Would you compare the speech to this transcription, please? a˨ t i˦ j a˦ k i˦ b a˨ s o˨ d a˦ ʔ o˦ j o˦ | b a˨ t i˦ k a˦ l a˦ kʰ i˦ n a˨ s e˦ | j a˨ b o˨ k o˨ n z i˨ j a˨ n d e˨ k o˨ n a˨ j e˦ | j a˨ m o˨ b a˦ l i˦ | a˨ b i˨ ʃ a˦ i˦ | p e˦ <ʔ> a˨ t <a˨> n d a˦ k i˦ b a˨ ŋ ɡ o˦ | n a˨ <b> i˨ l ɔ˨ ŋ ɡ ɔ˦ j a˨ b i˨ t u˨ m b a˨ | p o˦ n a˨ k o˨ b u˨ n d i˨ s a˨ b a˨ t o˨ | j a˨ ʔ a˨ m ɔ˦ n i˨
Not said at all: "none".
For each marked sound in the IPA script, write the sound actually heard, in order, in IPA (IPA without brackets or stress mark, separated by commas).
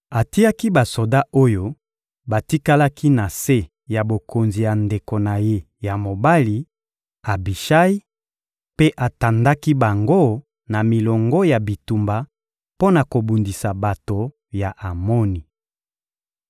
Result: ʔ, a˨, m